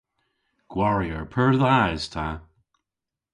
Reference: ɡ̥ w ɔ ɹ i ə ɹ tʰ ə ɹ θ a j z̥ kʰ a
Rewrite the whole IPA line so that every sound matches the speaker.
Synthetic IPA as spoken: ɡ̥ w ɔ ɹ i ə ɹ pʰ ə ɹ ð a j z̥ tʰ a